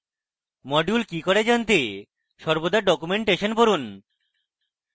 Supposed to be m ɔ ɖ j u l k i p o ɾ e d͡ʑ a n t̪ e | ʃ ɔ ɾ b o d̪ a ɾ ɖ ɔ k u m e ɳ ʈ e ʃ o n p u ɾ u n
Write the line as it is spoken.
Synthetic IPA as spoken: m ɔ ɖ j u l k i k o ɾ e d͡ʑ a n t̪ e | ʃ ɔ ɾ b o d̪ a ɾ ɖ ɔ k u m e ɳ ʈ e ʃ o n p o ɾ u n